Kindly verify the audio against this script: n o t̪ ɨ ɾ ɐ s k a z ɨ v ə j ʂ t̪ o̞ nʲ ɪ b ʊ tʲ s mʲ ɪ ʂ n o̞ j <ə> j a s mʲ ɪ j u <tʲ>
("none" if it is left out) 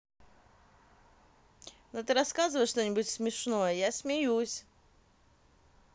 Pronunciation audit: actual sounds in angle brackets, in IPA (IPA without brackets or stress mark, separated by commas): ə, sʲ